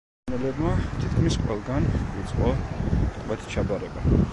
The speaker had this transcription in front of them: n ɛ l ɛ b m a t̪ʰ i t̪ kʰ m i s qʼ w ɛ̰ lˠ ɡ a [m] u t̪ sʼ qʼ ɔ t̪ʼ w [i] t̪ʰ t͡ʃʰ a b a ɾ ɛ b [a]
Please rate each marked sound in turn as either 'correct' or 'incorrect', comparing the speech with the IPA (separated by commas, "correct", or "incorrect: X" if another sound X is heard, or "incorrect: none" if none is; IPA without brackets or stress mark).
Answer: incorrect: n, incorrect: ɛ, correct